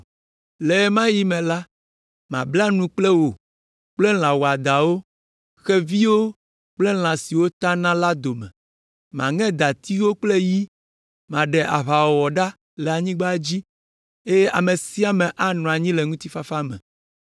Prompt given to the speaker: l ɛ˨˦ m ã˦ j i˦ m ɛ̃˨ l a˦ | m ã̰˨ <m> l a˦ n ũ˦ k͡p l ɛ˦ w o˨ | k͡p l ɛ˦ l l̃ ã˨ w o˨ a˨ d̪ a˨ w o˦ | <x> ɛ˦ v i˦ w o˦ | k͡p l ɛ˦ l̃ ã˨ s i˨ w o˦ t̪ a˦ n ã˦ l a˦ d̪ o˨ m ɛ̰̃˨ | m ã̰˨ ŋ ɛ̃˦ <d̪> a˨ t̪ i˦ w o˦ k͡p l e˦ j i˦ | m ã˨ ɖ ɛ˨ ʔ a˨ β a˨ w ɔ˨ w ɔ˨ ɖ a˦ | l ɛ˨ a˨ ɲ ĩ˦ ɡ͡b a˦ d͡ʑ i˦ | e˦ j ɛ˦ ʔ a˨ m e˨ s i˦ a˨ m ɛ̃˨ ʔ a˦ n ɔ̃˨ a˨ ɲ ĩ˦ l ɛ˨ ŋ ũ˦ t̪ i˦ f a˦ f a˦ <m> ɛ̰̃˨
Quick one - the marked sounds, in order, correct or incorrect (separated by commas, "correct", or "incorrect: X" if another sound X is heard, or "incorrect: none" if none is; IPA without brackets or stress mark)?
incorrect: b, correct, correct, correct